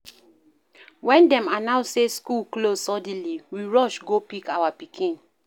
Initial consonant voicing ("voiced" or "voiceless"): voiced